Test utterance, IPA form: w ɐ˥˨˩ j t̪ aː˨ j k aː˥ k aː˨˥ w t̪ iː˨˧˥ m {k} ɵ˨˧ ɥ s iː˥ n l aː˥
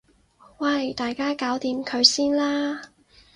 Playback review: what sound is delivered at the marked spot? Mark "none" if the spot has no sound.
kʰ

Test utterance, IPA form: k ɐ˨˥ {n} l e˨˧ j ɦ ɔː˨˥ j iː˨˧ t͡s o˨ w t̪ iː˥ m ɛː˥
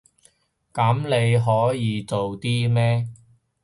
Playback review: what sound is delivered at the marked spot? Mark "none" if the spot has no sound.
m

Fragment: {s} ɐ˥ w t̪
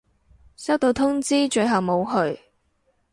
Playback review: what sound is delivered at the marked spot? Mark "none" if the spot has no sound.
s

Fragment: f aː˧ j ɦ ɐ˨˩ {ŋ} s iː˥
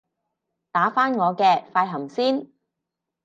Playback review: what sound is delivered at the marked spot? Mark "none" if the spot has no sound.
m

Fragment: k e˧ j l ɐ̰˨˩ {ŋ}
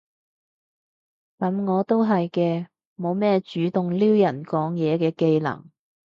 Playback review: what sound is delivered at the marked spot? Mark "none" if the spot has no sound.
ŋ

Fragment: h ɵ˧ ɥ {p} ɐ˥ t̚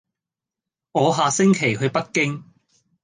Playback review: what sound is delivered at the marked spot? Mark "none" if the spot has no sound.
p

